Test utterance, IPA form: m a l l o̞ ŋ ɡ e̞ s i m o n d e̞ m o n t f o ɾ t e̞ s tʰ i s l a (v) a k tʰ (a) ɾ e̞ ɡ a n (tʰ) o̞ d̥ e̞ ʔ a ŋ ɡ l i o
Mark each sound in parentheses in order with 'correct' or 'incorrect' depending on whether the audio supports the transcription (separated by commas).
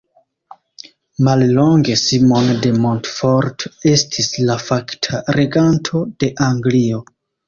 incorrect, correct, correct